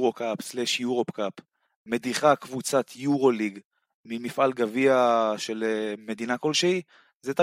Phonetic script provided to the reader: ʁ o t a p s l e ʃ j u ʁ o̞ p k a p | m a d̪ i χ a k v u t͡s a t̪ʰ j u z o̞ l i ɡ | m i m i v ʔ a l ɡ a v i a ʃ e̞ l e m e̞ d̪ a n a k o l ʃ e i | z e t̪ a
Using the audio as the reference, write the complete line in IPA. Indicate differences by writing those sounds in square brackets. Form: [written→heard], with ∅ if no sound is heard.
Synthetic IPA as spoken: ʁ o [t→k] a p s l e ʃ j u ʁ o̞ p k a p | m [a→e] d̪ i χ a k v u t͡s a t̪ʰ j u [z→ʁ] o̞ l i ɡ | m i m i [v→f] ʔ a l ɡ a v i a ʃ e̞ l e m e̞ d̪ [a→i] n a k o l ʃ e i | z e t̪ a